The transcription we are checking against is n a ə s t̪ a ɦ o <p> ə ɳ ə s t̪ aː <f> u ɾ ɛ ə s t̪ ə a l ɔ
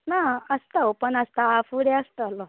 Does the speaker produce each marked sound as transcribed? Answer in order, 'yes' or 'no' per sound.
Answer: yes, yes

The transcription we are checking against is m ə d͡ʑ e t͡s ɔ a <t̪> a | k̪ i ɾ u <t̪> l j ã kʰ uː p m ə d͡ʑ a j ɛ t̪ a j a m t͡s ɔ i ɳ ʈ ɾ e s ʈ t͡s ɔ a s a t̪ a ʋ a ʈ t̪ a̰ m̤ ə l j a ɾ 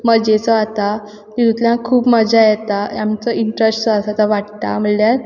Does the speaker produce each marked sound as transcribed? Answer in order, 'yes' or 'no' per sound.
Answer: yes, yes

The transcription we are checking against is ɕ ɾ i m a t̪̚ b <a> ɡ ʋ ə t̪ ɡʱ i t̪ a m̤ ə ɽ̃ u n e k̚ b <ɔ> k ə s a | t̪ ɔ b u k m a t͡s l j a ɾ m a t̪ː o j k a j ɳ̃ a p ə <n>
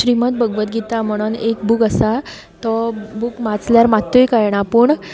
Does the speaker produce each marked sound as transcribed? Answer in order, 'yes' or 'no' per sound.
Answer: no, no, no

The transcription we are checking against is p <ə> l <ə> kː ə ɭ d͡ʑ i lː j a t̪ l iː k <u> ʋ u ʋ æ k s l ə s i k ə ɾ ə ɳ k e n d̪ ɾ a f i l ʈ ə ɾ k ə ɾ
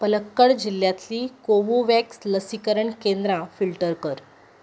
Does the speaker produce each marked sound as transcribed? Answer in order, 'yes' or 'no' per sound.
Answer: yes, yes, no

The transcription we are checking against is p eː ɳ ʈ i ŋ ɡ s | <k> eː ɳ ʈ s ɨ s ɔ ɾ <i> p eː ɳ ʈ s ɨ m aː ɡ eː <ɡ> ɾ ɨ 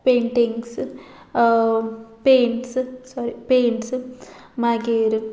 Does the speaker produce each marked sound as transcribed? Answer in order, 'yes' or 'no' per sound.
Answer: no, yes, no

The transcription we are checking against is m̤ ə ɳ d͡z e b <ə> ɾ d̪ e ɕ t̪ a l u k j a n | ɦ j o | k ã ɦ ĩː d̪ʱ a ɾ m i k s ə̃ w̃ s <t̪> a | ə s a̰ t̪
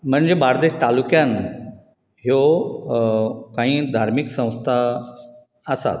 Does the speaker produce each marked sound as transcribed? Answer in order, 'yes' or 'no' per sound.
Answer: no, no

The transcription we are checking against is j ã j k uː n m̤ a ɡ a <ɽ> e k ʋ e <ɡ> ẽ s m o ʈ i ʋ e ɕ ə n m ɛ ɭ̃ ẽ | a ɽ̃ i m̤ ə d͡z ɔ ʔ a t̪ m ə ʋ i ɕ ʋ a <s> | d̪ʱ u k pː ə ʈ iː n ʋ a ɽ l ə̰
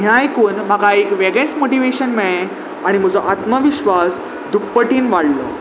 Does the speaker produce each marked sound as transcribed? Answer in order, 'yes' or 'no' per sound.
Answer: no, yes, yes

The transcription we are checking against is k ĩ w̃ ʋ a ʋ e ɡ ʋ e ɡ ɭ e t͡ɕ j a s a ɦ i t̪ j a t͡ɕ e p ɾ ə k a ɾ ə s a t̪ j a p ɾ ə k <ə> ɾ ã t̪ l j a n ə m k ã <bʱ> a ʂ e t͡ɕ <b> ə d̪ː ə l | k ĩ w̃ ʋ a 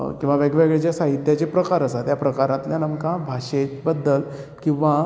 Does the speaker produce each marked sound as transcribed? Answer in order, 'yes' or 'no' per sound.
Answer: no, yes, yes

